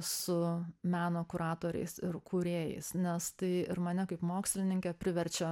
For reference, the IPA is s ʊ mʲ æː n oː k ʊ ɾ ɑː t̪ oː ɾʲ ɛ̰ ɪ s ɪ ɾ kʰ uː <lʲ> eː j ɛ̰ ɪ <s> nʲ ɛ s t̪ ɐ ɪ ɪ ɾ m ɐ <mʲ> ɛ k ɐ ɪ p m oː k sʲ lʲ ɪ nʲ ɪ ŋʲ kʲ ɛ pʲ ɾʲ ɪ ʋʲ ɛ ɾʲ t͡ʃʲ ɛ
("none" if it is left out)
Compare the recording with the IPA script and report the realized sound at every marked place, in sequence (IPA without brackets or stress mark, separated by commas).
ɾʲ, s, nʲ